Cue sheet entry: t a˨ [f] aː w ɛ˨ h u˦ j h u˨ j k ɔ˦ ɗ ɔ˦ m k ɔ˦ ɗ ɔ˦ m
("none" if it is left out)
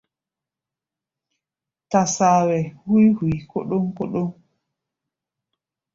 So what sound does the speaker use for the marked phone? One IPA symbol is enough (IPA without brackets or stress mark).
s